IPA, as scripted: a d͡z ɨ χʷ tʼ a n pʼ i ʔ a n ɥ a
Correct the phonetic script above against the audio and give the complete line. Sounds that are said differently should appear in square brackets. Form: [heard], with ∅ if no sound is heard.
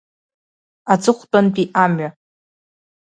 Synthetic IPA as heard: a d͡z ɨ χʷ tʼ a n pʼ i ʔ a [m] ɥ a